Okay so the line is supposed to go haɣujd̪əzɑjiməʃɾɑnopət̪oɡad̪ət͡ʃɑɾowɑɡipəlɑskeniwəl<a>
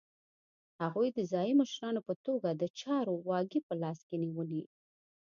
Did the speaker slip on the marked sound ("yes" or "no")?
yes